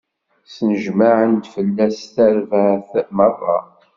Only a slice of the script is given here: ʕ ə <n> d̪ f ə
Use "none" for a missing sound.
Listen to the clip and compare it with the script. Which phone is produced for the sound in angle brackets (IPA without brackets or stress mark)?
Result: n